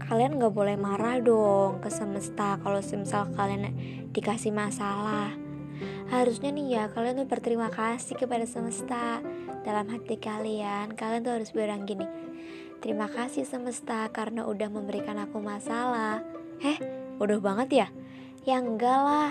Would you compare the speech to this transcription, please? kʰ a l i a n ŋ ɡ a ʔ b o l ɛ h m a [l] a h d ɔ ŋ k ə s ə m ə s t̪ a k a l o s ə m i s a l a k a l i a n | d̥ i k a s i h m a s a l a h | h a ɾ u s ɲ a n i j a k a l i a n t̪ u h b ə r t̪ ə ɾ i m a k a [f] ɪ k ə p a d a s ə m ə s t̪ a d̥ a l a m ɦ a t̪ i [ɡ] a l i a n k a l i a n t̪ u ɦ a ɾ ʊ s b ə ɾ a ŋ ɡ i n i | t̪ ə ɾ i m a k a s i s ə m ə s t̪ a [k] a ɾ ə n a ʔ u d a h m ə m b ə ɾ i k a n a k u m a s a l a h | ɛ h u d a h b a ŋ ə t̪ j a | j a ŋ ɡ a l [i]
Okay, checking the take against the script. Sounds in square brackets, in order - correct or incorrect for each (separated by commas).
incorrect, incorrect, incorrect, correct, incorrect